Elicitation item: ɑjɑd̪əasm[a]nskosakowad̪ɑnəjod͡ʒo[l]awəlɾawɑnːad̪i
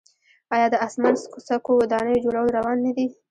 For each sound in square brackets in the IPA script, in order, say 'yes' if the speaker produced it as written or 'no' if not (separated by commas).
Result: yes, no